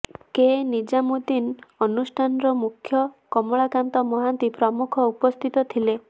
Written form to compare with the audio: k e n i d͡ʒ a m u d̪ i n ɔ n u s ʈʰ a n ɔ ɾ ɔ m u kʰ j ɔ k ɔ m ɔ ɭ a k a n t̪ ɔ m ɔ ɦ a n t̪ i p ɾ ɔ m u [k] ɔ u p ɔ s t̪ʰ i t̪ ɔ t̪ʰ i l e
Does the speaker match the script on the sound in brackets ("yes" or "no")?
no